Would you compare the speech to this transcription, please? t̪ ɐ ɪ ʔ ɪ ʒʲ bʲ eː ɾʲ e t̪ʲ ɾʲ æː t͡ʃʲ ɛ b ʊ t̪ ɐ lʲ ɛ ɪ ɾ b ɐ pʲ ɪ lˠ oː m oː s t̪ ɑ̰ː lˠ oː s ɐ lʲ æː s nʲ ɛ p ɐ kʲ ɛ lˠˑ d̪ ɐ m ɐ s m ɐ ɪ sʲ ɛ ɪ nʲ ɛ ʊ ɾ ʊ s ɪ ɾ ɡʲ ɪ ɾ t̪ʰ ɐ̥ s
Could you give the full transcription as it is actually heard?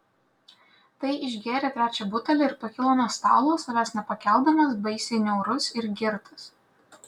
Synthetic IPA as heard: t̪ ɐ ɪ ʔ ɪ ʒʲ ɡʲ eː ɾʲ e t̪ʲ ɾʲ æː t͡ʃʲ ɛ b ʊ t̪ ɐ lʲ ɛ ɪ ɾ p ɐ kʲ ɪ lˠ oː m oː s t̪ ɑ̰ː lˠ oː s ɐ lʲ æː s nʲ ɛ p ɐ kʲ ɛ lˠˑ d̪ ɐ m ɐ s b ɐ ɪ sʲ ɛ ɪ nʲ ɛ ʊ ɾ ʊ s ɪ ɾ ɡʲ ɪ ɾ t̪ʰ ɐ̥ s

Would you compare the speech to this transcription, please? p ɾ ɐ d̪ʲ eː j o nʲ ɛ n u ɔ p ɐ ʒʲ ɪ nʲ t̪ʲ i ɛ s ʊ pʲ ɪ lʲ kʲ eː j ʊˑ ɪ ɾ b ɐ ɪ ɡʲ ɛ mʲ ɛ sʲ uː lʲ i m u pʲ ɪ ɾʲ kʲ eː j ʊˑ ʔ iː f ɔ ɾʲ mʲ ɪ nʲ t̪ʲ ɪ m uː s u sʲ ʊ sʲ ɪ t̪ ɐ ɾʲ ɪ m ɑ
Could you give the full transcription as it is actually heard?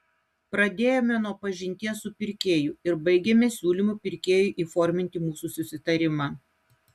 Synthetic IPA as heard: p ɾ ɐ d̪ʲ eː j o mʲ ɛ n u ɔ p ɐ ʒʲ ɪ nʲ t̪ʲ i ɛ s ʊ pʲ ɪ ɾʲ kʲ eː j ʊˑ ɪ ɾ b ɐ ɪ ɡʲ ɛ mʲ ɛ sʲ uː lʲ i m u pʲ ɪ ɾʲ kʲ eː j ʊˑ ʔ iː f ɔ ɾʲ mʲ ɪ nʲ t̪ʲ ɪ m uː s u sʲ ʊ sʲ ɪ t̪ ɐ ɾʲ ɪ m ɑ

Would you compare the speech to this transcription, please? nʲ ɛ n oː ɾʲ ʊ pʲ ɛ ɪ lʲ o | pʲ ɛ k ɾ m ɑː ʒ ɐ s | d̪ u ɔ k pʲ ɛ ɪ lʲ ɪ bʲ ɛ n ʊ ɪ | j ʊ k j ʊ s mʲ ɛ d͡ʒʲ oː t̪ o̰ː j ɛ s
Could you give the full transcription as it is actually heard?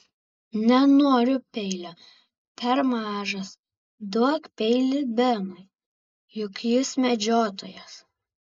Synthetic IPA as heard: nʲ ɛ n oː ɾʲ ʊ pʲ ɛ ɪ lʲ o | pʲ ɛ ɾ m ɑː ʒ ɐ s | d̪ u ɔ k pʲ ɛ ɪ lʲ ɪ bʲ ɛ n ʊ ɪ | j ʊ k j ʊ s mʲ ɛ d͡ʒʲ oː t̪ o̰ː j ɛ s

